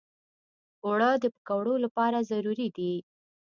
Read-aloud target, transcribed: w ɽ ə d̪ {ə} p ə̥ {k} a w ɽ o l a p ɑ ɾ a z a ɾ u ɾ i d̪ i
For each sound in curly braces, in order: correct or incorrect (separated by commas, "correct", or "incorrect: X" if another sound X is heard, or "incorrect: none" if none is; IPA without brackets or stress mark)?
correct, correct